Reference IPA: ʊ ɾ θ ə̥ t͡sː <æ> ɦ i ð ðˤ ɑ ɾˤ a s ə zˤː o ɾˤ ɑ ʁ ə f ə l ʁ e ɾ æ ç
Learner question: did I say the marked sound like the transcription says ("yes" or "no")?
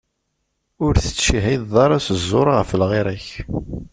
no